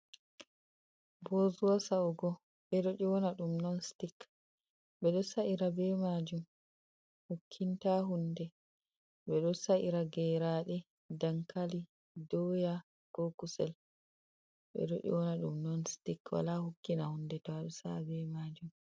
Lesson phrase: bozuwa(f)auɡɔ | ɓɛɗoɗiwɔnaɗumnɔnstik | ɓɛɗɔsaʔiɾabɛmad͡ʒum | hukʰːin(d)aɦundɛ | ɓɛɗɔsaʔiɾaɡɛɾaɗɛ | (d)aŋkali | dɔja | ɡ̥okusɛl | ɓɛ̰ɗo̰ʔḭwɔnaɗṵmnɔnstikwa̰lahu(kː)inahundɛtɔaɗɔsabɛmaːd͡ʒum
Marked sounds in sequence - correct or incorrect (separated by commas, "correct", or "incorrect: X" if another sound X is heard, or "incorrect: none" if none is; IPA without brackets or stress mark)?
incorrect: s, incorrect: t, correct, correct